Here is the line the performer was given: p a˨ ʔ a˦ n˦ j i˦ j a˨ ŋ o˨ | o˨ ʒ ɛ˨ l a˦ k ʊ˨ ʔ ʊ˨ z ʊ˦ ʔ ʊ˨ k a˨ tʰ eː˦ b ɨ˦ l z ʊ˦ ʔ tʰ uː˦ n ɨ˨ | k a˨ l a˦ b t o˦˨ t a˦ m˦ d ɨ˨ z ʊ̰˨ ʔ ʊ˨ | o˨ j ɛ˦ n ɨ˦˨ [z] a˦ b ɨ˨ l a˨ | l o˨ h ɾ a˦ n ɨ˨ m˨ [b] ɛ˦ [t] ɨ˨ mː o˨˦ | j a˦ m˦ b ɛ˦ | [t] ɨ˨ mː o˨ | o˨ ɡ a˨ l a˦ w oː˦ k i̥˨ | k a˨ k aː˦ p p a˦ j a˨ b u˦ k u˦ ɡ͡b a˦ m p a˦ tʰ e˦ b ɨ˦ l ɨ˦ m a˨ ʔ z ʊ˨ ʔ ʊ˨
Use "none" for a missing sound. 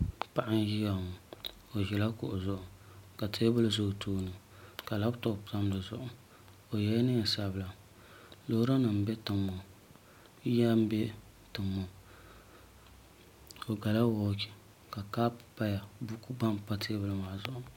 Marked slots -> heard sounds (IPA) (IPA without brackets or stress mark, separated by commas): s, b, t, t